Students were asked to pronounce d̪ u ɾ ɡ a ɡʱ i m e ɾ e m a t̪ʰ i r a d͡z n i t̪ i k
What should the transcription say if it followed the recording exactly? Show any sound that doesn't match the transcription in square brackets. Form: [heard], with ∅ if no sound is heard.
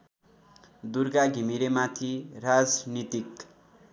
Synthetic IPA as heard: d̪ u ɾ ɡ a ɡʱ i m [i] ɾ e m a t̪ʰ i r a d͡z n i t̪ i k